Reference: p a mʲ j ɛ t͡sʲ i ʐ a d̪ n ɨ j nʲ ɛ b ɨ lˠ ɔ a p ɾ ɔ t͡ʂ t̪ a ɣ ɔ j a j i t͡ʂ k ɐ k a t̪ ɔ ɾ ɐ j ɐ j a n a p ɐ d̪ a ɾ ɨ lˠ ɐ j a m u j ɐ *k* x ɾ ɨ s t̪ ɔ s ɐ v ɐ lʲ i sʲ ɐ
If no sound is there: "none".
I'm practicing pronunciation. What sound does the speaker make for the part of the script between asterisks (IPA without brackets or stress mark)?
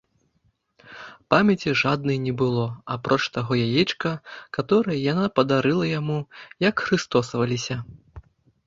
k